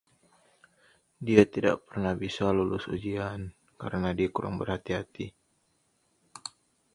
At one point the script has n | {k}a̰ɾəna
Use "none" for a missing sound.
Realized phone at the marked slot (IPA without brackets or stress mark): k